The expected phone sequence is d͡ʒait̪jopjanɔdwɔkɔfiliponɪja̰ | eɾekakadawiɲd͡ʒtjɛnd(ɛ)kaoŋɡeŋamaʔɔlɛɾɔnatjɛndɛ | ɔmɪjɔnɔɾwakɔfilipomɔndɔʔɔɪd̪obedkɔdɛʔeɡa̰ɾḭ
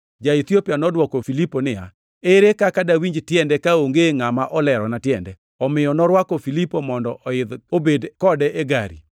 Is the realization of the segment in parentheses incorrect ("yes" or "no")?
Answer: no